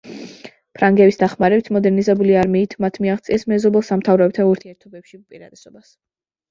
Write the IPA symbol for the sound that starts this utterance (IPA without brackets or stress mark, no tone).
pʰ